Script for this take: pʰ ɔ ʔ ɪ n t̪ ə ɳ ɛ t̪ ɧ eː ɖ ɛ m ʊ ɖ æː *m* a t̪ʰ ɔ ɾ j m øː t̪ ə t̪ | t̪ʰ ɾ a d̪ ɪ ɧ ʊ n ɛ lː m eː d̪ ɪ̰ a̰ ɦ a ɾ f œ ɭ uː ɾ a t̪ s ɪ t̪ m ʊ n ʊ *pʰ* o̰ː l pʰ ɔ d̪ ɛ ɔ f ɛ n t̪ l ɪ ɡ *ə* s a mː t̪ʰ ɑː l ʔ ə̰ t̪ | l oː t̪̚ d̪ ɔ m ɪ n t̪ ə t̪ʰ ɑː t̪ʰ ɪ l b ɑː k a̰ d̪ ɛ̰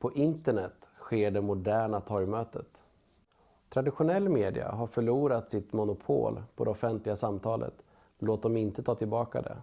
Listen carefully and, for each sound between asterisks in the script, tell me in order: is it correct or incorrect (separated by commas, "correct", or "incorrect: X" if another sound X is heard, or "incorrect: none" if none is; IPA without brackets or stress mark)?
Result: incorrect: ɳ, correct, incorrect: a